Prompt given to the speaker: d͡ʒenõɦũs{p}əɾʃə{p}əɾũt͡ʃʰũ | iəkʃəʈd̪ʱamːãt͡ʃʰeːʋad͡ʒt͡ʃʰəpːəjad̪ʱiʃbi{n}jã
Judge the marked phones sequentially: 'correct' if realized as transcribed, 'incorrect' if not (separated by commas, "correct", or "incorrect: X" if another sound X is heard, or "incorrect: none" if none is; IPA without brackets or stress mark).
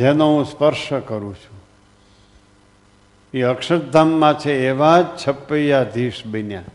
correct, incorrect: k, correct